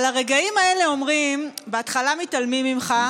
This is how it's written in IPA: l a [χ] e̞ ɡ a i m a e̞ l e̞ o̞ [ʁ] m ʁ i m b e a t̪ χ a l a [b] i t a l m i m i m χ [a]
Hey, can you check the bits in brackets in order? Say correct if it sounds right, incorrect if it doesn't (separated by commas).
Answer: incorrect, incorrect, incorrect, correct